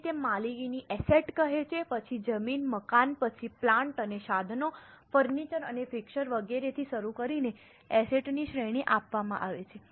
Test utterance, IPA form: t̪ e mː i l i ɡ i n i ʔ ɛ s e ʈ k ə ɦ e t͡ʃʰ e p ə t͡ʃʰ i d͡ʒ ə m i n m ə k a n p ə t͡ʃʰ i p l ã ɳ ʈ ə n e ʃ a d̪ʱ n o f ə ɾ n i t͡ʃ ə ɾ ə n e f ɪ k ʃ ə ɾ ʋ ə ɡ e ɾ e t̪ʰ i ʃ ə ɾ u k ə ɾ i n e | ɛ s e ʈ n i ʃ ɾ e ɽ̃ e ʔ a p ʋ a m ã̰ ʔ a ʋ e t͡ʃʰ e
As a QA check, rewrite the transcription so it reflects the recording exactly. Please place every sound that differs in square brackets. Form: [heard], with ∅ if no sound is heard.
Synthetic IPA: t̪ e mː [a] l i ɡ i n i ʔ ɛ s e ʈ k ə ɦ e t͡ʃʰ e p ə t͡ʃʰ i d͡ʒ ə m i n m ə k a n p ə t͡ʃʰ i p l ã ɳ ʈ ə n e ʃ a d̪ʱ n o f ə ɾ n i t͡ʃ ə ɾ ə n e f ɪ k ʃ ə ɾ ʋ ə ɡ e ɾ e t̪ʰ i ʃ ə ɾ u k ə ɾ i n e | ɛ s e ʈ n i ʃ ɾ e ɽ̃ [i] ʔ a p ʋ a m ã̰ ʔ a ʋ e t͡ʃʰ e